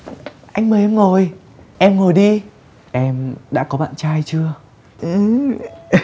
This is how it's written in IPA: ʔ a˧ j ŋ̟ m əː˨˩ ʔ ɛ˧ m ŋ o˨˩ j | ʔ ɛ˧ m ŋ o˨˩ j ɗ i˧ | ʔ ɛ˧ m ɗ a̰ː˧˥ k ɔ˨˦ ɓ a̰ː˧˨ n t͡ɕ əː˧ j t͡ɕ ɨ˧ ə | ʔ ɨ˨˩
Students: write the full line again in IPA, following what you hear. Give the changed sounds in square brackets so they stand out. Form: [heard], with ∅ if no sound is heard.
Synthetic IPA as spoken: ʔ a˧ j ŋ̟ m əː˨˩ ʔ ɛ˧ m ŋ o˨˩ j | ʔ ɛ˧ m ŋ o˨˩ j ɗ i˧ | ʔ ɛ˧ m ɗ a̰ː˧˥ k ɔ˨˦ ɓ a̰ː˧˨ n t͡ɕ [aː˧] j t͡ɕ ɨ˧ ə | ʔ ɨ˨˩